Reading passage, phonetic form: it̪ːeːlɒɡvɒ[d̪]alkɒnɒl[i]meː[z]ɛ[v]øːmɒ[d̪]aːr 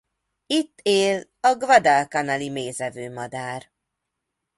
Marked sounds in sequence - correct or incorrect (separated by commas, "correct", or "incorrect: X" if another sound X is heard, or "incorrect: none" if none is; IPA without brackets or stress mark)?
correct, correct, correct, correct, correct